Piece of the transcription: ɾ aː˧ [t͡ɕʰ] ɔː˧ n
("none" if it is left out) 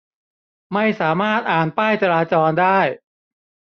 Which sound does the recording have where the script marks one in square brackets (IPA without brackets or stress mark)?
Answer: t͡ɕ